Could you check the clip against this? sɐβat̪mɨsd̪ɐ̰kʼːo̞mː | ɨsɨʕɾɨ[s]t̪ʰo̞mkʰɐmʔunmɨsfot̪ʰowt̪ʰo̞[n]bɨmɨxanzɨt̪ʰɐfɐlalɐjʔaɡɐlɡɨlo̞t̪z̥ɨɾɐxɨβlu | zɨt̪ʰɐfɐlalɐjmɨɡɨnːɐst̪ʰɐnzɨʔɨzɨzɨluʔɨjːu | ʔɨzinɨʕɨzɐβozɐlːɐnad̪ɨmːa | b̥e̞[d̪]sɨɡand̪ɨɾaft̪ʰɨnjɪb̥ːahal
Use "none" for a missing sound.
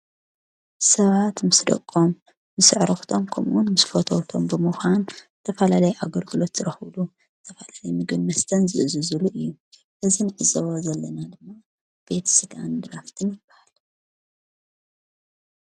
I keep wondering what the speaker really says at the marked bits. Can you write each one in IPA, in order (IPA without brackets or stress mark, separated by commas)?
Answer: x, m, t̪